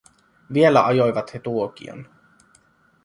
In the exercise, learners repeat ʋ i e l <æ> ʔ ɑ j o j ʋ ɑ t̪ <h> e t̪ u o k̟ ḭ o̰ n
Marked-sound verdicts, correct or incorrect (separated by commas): correct, correct